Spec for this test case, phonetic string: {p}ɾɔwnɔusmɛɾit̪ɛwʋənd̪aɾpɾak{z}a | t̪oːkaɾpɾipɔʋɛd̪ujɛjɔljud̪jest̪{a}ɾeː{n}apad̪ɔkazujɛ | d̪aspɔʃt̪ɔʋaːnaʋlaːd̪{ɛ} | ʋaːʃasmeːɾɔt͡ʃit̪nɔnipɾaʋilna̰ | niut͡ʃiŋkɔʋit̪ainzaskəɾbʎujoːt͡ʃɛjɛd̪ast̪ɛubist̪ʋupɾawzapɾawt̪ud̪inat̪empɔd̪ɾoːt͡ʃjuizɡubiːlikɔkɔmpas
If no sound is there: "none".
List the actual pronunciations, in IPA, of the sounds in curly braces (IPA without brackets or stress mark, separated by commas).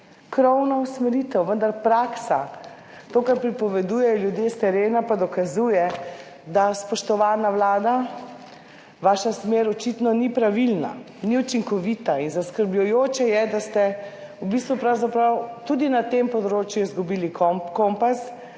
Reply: k, s, ɛ, n, a